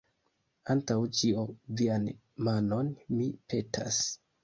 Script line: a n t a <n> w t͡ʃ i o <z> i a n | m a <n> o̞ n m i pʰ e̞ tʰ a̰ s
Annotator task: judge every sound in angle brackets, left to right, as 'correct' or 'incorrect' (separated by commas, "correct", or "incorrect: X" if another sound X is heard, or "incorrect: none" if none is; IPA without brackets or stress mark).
incorrect: none, incorrect: v, correct